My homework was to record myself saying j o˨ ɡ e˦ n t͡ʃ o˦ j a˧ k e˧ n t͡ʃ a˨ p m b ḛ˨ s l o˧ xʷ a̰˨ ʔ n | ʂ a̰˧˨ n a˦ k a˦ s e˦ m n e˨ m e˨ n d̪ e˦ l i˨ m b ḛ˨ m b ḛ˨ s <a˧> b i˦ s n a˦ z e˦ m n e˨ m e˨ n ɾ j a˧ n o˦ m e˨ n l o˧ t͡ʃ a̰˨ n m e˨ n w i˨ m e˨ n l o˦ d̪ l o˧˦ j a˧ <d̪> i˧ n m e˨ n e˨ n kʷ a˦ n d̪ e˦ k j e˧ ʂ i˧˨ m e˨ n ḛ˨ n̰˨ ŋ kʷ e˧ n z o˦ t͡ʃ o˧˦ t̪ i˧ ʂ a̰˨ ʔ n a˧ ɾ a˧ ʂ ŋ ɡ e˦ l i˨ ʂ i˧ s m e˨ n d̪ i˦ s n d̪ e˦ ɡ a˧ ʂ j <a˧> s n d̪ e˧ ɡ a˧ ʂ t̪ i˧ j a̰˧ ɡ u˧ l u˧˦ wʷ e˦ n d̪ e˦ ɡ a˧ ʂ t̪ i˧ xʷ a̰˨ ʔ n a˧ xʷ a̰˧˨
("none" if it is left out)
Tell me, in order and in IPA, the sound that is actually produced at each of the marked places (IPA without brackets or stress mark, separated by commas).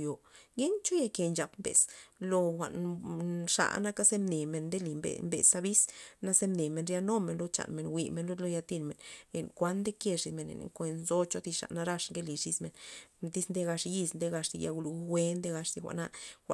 a˧, t̪, i˧